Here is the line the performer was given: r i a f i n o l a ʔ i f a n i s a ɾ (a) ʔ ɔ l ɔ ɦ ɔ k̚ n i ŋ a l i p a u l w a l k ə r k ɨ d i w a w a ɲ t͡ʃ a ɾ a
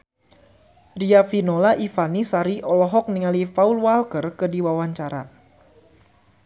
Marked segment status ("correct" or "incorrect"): incorrect